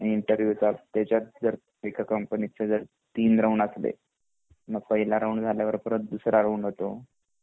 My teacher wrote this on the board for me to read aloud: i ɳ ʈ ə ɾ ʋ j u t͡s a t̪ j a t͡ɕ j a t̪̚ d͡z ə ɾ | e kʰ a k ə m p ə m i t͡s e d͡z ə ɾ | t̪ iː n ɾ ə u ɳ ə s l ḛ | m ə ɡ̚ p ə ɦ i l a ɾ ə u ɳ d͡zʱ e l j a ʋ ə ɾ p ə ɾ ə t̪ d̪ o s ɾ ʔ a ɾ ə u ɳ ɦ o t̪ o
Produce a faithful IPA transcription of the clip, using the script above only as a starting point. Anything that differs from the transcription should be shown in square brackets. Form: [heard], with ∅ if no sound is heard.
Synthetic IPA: i ɳ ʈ ə ɾ ʋ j u t͡s a t̪ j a t͡ɕ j a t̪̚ d͡z ə ɾ | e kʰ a k ə m p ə [n] i t͡s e d͡z ə ɾ | t̪ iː n ɾ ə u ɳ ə s l ḛ | m ə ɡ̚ p ə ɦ i l a ɾ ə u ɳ d͡zʱ [a] l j a ʋ ə ɾ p ə ɾ ə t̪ d̪ [u] s ɾ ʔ a ɾ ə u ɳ ɦ o t̪ o